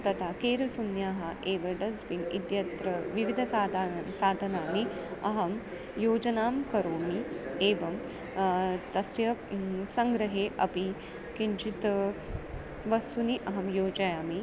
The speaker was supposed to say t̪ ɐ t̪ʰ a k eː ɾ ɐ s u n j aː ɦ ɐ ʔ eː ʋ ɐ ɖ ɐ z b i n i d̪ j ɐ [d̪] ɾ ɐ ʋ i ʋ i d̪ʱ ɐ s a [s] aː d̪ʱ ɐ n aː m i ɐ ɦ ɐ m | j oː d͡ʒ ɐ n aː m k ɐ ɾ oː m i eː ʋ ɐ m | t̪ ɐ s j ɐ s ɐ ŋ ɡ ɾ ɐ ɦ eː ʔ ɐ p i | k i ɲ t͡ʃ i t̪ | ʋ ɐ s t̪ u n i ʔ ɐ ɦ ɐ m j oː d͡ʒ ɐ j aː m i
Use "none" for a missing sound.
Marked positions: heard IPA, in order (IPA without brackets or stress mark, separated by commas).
t̪, s